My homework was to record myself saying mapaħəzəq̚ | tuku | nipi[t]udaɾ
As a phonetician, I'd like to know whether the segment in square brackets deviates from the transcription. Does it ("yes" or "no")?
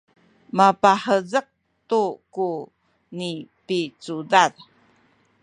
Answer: yes